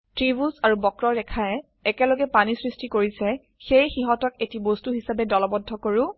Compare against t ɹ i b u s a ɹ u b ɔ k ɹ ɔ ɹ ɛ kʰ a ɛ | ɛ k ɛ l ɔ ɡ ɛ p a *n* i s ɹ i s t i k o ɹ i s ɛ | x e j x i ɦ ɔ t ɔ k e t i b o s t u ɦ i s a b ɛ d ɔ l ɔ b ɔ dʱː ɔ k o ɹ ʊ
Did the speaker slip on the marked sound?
no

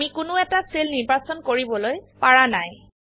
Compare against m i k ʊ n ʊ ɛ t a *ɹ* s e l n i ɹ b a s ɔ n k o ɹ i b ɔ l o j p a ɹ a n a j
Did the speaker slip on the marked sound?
yes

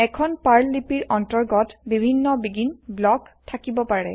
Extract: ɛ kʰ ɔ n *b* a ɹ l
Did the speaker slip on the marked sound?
yes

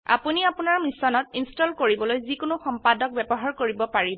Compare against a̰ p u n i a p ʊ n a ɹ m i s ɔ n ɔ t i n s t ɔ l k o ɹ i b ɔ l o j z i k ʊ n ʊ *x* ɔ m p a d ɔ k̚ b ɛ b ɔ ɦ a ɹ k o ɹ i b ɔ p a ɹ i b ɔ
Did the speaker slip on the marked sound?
no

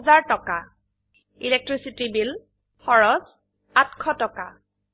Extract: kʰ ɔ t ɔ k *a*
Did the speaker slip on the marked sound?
no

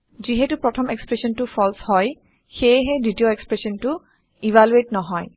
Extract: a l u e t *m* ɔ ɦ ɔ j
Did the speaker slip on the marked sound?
yes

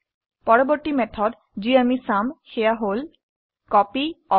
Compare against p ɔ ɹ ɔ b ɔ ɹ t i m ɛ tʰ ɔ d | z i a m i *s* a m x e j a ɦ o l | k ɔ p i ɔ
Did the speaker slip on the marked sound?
no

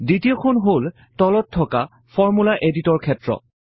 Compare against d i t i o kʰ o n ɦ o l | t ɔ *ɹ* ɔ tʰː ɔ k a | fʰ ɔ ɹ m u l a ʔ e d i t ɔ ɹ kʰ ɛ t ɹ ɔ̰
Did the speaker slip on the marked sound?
yes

